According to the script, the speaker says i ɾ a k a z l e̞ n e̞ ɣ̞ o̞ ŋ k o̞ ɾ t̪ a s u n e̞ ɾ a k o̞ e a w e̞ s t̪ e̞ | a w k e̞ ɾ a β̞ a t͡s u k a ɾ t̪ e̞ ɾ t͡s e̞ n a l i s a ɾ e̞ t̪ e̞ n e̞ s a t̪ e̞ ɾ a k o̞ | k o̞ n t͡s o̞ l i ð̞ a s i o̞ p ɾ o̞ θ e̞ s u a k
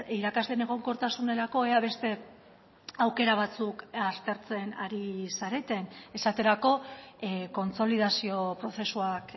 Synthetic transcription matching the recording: i ɾ a k a z l e̞ n e̞ ɣ̞ o̞ ŋ k o̞ ɾ t̪ a s u n e̞ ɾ a k o̞ e a β e̞ s t̪ e̞ | a w k e̞ ɾ a β̞ a t͡s u k a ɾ t̪ e̞ ɾ t͡s e̞ n a ɾ i s a ɾ e̞ t̪ e̞ n e̞ s a t̪ e̞ ɾ a k o̞ | k o̞ n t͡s o̞ l i ð̞ a s i o̞ p ɾ o̞ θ e̞ s u a k